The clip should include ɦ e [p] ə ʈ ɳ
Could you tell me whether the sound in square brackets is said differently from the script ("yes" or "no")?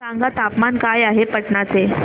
no